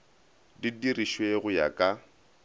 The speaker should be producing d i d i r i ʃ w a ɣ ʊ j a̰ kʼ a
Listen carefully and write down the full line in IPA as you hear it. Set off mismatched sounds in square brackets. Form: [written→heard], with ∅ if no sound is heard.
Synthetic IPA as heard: d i d i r i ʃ w [a→e] ɣ ʊ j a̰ kʼ a